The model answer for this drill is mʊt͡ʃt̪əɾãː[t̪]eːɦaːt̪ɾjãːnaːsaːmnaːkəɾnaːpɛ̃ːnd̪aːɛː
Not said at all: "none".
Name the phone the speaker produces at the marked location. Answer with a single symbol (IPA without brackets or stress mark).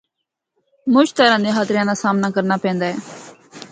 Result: d̪